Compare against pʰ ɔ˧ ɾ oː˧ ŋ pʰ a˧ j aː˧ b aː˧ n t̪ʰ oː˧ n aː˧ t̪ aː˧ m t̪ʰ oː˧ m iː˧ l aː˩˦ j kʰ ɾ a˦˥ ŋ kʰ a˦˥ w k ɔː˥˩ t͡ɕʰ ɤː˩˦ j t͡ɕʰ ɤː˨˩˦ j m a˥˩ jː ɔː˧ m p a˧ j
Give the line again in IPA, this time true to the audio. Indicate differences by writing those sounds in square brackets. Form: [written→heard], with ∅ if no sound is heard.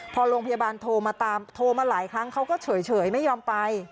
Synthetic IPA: pʰ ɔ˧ ɾ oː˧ ŋ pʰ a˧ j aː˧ b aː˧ n t̪ʰ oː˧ [n→m] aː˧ t̪ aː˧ m t̪ʰ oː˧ m [iː˧→aː˧] l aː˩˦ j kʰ ɾ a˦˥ ŋ kʰ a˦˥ w k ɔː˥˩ t͡ɕʰ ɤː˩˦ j t͡ɕʰ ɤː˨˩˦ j m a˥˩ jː ɔː˧ m p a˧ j